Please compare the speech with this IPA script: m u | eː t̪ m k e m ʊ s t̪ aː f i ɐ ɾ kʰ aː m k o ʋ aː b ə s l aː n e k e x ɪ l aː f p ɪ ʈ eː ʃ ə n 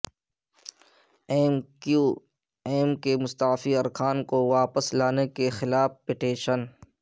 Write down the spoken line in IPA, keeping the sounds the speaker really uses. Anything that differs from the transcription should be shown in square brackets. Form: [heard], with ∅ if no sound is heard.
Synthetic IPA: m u | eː [∅] m k e m ʊ s t̪ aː f i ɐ ɾ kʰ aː [n] k o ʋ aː [p] ə s l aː n e k e x ɪ l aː f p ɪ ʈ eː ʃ ə n